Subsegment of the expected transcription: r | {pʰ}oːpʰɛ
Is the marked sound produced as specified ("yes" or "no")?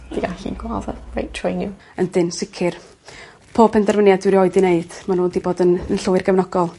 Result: yes